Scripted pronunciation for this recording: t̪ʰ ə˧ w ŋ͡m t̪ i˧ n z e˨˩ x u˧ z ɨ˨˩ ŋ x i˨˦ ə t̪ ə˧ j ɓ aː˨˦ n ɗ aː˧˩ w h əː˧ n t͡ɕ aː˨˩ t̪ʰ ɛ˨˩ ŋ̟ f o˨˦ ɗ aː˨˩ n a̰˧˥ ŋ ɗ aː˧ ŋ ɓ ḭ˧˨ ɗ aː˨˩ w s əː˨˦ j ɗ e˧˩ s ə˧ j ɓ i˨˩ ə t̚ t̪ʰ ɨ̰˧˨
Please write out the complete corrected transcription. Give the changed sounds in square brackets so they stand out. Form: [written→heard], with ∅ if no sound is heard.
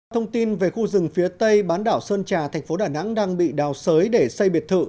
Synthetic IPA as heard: t̪ʰ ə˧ w ŋ͡m t̪ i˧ n [z→v] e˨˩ x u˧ z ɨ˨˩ ŋ [x→f] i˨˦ ə t̪ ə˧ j ɓ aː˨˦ n ɗ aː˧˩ w [h→s] əː˧ n t͡ɕ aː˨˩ t̪ʰ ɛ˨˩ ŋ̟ f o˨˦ ɗ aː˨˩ n a̰˧˥ ŋ ɗ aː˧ ŋ ɓ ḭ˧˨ ɗ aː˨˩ w s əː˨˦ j ɗ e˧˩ s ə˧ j ɓ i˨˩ ə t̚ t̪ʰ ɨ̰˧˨